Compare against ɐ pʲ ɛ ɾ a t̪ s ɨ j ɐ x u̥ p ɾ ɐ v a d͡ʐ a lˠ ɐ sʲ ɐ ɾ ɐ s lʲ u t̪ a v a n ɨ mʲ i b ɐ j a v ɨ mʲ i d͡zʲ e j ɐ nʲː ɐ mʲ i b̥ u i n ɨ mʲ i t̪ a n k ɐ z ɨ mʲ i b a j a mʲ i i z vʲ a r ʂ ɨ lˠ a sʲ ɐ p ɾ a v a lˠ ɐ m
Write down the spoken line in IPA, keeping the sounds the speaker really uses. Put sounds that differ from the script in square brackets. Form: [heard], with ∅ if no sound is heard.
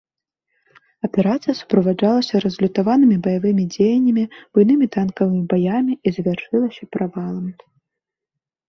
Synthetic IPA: ɐ pʲ ɛ ɾ a t̪ s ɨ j ɐ [s] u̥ p ɾ ɐ v a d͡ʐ a lˠ ɐ sʲ ɐ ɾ ɐ [z] lʲ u t̪ a v a n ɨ mʲ i b ɐ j a v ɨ mʲ i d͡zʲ e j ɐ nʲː ɐ mʲ i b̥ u [j] n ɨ mʲ i t̪ a n k ɐ [v] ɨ mʲ i b a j a mʲ i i z vʲ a r ʂ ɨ lˠ [ɐ] sʲ ɐ p ɾ a v a lˠ ɐ m